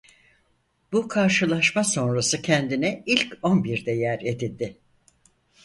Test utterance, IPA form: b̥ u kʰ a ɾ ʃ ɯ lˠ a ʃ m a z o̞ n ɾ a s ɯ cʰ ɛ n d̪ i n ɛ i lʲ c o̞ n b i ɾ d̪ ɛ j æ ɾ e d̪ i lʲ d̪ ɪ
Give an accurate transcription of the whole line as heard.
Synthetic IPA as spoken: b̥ u kʰ a ɾ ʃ ɯ lˠ a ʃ m a s o̞ n ɾ a s ɯ cʰ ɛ n d̪ i n ɛ i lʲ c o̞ n b i ɾ d̪ ɛ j æ ɾ e d̪ i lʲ d̪ ɪ